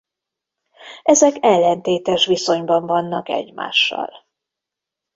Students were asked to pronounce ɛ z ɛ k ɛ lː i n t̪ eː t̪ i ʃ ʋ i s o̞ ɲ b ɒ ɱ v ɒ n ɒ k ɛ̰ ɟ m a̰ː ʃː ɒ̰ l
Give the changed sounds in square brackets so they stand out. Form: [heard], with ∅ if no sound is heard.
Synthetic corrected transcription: ɛ z ɛ k ɛ lː [ɛ] n t̪ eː t̪ [ɛ] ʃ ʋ i s o̞ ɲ b ɒ ɱ v ɒ [nː] ɒ k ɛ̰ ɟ m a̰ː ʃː ɒ̰ l

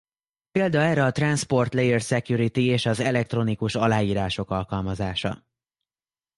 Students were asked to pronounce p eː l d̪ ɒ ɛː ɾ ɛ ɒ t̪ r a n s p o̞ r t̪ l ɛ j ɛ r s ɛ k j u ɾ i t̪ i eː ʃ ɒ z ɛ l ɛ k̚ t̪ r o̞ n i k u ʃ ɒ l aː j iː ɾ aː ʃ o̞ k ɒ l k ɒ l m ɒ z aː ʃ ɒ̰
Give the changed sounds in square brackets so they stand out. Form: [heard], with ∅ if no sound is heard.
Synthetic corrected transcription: p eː l d̪ ɒ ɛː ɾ ɛ ɒ t̪ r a n s p o̞ r t̪ l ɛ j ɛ r s ɛ k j u ɾ i t̪ i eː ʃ ɒ z ɛ l ɛ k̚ t̪ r o̞ n i k u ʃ ɒ l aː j iː ɾ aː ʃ o̞ k ɒ l k ɒ l m ɒ z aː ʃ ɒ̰

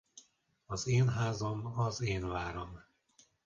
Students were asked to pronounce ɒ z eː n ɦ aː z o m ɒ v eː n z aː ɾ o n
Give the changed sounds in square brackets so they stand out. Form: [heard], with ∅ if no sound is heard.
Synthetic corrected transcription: ɒ z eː n ɦ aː z o m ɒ [z] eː n [v] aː ɾ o [m]

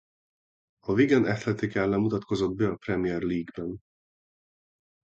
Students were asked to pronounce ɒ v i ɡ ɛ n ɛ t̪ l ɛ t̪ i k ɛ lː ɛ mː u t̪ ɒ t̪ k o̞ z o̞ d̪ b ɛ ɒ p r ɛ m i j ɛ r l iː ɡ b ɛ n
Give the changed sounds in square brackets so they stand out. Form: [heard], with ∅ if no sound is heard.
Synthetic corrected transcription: ɒ v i ɡ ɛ n ɛ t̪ l ɛ t̪ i k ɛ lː ɛ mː u t̪ ɒ t̪ k o̞ z o̞ d̪ b ɛ ɒ p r ɛ m i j ɛ r l iː ɡ b ɛ n

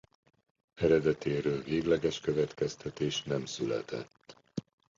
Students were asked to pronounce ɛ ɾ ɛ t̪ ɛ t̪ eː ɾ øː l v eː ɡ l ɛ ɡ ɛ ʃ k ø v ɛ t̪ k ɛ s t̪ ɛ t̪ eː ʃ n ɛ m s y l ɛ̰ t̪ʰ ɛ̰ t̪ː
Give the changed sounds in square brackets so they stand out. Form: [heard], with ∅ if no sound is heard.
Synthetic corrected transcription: ɛ ɾ ɛ [d̪] ɛ t̪ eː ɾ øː l v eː ɡ l ɛ ɡ ɛ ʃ k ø v ɛ t̪ k ɛ s t̪ ɛ t̪ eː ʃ n ɛ m s y l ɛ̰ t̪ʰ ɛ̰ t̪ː

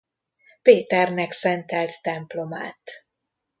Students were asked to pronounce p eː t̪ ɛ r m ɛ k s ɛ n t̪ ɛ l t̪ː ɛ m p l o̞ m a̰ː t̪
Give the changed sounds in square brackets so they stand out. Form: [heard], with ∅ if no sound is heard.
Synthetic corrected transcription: p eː t̪ ɛ r [n] ɛ k s ɛ n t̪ ɛ l t̪ː ɛ m p l o̞ m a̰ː t̪

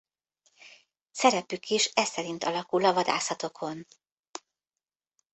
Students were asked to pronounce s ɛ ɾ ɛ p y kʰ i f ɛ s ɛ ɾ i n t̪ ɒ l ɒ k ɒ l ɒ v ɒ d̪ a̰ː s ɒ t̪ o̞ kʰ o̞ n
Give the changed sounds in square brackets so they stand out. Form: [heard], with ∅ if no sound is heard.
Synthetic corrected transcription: s ɛ ɾ ɛ p y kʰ i [ʃ] ɛ s ɛ ɾ i n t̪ ɒ l ɒ k [u] l ɒ v ɒ d̪ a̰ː s ɒ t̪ o̞ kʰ o̞ n

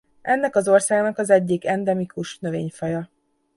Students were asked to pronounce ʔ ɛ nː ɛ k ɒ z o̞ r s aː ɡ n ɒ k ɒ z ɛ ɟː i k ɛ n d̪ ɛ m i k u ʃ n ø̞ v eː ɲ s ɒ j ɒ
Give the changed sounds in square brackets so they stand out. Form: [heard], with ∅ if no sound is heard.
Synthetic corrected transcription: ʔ ɛ nː ɛ k ɒ z o̞ r s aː ɡ n ɒ k ɒ z ɛ ɟː i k ɛ n d̪ ɛ m i k u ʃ n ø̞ v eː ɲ [f] ɒ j ɒ

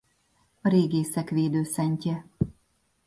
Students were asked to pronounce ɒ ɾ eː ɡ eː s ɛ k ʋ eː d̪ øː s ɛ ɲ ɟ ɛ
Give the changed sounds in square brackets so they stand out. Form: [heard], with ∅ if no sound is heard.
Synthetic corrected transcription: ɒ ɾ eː ɡ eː s ɛ k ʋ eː d̪ øː s ɛ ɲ [c] ɛ

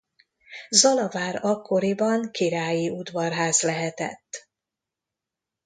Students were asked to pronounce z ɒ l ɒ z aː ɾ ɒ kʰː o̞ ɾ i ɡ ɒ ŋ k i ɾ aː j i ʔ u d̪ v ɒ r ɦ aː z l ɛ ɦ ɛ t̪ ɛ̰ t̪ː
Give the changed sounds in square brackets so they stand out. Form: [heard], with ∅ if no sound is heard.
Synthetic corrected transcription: z ɒ l ɒ [v] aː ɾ ɒ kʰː o̞ ɾ i [b] ɒ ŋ k i ɾ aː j i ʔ u d̪ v ɒ r ɦ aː z l ɛ ɦ ɛ t̪ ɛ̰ t̪ː

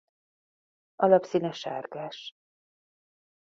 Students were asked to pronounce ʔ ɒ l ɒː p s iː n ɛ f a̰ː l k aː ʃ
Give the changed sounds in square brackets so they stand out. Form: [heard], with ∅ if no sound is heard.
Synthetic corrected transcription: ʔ ɒ l [ɒ] p s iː n ɛ [ʃ] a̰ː [r] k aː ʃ

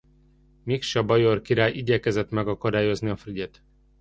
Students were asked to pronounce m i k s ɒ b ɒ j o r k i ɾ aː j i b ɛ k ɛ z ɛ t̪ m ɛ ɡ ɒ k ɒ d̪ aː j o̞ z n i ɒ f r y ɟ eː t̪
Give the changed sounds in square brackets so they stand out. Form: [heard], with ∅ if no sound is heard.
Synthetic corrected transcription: m i k [ʃ] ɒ b ɒ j o r k i ɾ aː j i [ɟ] ɛ k ɛ z ɛ t̪ m ɛ ɡ ɒ k ɒ d̪ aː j o̞ z n i ɒ f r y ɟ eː t̪

